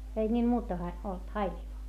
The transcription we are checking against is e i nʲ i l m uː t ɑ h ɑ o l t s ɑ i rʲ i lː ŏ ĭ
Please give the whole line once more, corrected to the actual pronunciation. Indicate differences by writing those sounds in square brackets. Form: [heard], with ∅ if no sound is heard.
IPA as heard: e i nʲ [iː] l m uː t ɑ h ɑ o l t [h] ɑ i [lʲ] i [l] ŏ ĭ